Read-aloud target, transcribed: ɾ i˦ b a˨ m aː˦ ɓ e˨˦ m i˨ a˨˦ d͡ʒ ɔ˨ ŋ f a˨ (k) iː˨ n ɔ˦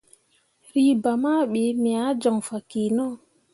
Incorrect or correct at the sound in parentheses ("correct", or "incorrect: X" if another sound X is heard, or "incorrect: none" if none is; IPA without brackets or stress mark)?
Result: correct